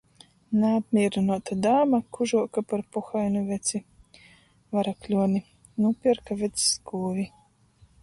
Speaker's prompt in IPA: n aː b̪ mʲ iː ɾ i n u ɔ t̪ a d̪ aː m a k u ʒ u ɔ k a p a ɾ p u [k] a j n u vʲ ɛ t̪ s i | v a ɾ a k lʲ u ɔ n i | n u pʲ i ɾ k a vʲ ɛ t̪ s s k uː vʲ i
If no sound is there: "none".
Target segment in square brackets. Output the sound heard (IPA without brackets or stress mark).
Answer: x